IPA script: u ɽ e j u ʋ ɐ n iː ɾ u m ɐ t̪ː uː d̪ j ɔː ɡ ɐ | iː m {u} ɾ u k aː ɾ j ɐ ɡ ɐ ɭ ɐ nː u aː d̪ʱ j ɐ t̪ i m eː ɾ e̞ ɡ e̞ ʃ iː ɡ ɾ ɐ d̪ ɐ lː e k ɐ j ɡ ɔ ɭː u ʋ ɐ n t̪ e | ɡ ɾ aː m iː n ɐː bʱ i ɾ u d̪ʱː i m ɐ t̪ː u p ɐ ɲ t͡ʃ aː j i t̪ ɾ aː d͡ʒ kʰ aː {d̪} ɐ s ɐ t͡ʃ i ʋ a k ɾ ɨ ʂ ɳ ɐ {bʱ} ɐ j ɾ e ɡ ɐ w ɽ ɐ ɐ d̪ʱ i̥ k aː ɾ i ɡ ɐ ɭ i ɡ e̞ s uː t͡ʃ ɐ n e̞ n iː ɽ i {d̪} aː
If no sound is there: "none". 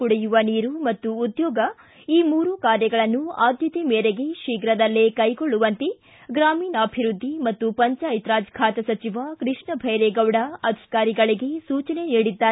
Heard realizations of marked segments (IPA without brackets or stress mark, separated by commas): uː, t̪, bʱ, d̪ː